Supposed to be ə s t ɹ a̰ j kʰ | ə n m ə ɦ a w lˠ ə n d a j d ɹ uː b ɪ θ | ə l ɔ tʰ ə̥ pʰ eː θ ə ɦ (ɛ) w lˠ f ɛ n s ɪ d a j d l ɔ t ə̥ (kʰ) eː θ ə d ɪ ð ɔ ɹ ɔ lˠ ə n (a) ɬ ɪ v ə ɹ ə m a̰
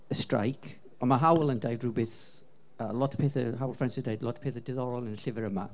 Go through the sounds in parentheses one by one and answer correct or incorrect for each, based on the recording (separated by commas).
incorrect, incorrect, incorrect